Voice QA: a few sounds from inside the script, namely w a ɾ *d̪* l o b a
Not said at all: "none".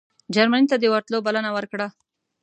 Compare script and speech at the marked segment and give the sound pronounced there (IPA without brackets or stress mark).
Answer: t̪